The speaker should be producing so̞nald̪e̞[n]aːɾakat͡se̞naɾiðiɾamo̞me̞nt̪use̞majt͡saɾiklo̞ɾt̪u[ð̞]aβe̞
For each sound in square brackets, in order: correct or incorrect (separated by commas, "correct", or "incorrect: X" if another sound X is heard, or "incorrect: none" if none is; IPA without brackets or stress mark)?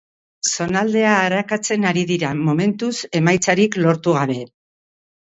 incorrect: none, incorrect: ɣ̞